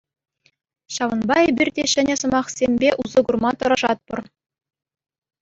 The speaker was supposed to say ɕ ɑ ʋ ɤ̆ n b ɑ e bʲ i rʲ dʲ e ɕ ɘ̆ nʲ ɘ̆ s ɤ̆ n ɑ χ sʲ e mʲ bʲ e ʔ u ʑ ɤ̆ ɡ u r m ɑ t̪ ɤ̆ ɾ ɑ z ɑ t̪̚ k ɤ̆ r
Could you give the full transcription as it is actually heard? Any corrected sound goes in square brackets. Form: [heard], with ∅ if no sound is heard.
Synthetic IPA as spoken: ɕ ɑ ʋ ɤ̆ n b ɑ e bʲ i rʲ dʲ e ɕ ɘ̆ nʲ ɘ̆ s ɤ̆ [m] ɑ χ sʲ e mʲ bʲ e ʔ u [z] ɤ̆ ɡ u r m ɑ t̪ ɤ̆ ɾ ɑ [ʐ] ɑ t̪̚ [p] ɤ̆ r

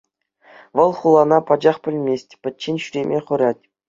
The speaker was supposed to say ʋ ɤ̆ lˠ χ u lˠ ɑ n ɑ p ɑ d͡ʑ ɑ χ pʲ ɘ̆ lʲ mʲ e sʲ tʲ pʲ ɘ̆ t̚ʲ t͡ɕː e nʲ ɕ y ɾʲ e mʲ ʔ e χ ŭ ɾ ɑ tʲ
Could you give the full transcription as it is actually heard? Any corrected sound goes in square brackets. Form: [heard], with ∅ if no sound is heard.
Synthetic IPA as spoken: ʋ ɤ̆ lˠ χ u lˠ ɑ n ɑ p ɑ d͡ʑ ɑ χ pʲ ɘ̆ lʲ mʲ e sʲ tʲ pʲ ɘ̆ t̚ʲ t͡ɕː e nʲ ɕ y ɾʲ e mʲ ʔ e χ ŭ ɾ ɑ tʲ

